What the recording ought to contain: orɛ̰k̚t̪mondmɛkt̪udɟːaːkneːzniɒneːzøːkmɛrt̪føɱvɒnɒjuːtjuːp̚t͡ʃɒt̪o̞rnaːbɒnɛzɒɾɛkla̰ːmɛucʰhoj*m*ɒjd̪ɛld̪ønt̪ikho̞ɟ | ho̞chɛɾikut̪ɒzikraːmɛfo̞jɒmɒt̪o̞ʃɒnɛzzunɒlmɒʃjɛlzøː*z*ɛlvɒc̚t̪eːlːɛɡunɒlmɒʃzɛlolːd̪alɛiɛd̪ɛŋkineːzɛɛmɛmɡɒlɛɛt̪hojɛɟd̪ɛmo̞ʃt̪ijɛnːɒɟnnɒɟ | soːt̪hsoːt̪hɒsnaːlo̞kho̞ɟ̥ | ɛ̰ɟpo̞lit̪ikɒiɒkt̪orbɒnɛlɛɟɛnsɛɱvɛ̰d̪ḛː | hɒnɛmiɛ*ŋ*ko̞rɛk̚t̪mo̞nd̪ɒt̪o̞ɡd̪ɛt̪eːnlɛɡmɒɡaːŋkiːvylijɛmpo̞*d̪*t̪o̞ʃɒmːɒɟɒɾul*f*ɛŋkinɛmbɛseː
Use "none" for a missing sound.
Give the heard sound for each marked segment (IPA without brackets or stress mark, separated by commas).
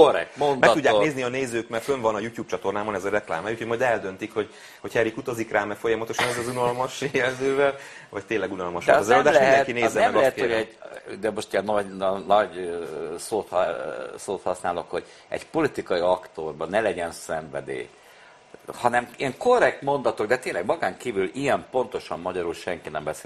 m, v, ŋ, n̪, ʃ